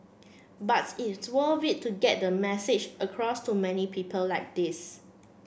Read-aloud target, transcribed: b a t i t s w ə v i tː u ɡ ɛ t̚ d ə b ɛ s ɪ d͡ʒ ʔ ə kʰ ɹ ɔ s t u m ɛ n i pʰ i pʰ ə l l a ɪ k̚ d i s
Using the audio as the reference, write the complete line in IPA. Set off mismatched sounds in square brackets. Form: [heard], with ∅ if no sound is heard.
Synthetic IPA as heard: b a t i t s w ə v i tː u ɡ ɛ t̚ d ə [m] ɛ s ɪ d͡ʒ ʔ ə kʰ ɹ ɔ s t u m ɛ n i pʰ i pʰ ə l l a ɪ k̚ d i s

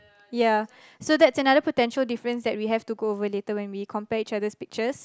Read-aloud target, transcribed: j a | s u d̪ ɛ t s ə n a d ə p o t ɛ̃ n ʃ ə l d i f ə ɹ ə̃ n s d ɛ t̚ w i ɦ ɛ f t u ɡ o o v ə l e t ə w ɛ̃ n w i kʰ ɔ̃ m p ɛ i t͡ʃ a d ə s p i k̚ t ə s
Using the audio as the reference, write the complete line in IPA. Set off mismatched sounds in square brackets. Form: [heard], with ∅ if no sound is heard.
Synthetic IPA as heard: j a | s [o] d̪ ɛ t s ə n a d ə p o t ɛ̃ n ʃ ə l d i f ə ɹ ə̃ n s d ɛ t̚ w i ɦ ɛ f t u ɡ o o v ə l e t ə w ɛ̃ n w i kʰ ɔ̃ m p ɛ i t͡ʃ a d ə s p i k̚ [t͡ʃ] ə s

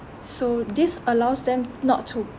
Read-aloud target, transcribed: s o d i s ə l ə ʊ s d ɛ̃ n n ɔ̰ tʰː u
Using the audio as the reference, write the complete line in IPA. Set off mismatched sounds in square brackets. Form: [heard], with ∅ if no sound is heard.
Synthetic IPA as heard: s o d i s ə l [a] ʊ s d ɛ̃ [m] n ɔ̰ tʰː u

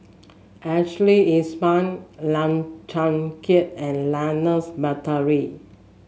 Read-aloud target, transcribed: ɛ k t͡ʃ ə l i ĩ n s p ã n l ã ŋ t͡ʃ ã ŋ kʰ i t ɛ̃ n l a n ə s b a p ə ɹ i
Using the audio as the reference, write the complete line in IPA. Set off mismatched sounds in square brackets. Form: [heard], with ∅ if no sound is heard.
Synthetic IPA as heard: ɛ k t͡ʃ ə l i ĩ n s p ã n l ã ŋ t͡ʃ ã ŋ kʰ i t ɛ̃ n l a n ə s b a [t] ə ɹ i

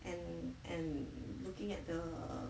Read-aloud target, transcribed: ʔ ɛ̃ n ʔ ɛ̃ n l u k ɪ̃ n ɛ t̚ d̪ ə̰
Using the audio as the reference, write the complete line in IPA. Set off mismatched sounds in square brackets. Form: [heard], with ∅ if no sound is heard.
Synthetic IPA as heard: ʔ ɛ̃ n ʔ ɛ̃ n l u k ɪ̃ [ŋ] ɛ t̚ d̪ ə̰

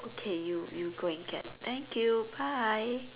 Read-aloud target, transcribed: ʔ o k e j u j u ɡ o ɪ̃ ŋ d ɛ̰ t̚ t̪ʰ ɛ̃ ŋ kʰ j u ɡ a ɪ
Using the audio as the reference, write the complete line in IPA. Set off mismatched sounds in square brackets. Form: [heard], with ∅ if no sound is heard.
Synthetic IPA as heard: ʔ o [kʰ] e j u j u ɡ o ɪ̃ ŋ [ɡ] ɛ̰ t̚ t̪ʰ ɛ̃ ŋ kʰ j u [b] a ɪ

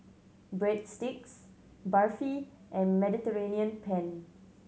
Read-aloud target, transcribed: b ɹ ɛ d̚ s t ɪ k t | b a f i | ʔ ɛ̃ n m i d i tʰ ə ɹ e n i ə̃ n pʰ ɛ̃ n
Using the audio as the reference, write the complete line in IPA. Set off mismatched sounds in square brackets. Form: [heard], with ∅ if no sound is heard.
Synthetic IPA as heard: b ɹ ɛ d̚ s t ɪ k [s] | b a f i | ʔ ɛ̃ n m [ɛ] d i [t] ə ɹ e n i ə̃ n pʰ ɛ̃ n

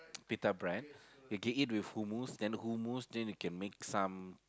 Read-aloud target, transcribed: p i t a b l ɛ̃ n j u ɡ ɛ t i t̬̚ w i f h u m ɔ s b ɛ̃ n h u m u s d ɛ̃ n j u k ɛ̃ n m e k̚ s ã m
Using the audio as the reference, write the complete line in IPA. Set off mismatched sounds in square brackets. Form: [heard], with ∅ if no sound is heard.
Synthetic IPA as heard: p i t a b [ɹ] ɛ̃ n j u ɡ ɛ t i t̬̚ w i f h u m [u] s [d] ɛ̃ n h u m u s d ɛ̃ n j u k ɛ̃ n m e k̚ s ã m

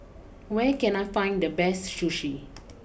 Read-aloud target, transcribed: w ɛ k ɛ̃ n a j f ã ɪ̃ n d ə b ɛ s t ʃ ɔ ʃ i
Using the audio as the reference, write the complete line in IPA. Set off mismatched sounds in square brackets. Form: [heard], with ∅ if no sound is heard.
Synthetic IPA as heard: w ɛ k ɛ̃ n a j f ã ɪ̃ n d ə b ɛ s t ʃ [u] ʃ i

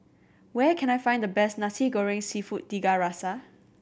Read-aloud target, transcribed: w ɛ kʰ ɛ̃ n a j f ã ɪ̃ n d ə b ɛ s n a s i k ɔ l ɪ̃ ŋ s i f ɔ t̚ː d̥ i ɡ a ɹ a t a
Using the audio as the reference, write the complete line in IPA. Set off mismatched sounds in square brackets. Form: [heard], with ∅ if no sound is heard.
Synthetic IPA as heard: w ɛ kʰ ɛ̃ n a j f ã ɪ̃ n d ə b ɛ s n a s i [ɡ] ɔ [ɹ] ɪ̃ ŋ s i f [u] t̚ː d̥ i ɡ a ɹ a [s] a

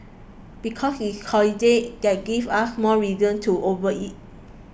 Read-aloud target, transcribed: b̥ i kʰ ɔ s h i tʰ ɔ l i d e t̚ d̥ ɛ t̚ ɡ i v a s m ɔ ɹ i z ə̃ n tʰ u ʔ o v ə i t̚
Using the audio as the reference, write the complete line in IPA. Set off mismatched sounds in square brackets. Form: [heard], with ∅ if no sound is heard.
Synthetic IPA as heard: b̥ i kʰ ɔ s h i [kʰ] ɔ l i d e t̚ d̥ ɛ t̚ ɡ i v a s m ɔ ɹ i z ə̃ n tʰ u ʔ o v ə i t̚

